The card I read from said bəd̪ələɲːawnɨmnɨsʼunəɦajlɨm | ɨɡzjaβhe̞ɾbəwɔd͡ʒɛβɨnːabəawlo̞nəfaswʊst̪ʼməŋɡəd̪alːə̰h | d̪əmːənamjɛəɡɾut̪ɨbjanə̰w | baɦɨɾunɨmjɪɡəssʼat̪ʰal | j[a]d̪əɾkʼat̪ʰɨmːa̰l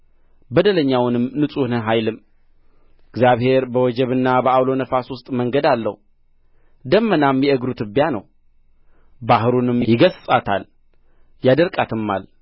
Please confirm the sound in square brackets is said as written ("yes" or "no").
yes